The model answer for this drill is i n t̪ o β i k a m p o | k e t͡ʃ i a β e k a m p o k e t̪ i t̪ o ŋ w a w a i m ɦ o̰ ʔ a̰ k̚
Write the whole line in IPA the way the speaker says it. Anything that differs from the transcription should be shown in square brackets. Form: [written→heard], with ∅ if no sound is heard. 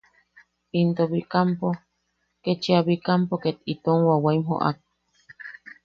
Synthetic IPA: i n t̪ o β i k a m p o | k e t͡ʃ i a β [e→i] k a m p o k e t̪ i t̪ o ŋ w a w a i m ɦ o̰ ʔ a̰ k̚